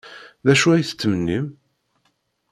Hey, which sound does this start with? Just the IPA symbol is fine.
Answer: ð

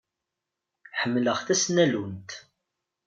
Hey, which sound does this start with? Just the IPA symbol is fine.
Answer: ħ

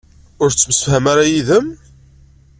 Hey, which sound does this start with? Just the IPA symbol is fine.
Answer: ʊ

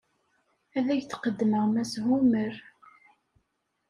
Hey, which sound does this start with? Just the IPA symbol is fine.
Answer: æ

